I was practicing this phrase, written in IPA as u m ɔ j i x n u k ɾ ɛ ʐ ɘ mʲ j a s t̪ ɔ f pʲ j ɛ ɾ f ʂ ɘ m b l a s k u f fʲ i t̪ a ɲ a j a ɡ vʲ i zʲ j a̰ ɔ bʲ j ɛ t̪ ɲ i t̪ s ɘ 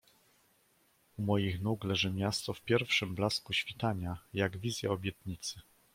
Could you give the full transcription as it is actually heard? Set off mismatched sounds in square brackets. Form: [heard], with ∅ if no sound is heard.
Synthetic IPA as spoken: u m ɔ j i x n u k [l] ɛ ʐ ɘ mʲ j a s t̪ ɔ f pʲ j ɛ ɾ f ʂ ɘ m b l a s k u [ɕ] fʲ i t̪ a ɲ a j a ɡ vʲ i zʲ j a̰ ɔ bʲ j ɛ t̪ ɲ i t̪ s ɘ